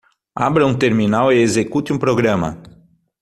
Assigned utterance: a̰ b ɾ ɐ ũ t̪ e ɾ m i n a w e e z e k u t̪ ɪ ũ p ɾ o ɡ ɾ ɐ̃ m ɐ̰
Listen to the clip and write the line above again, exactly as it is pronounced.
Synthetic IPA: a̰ b ɾ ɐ ũ t̪ e ɾ m i n a w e e z e k u t̪ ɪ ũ p ɾ o ɡ ɾ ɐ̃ m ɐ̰